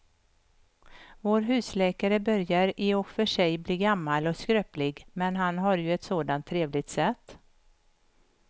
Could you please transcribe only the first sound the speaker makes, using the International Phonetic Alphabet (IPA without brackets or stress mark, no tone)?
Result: v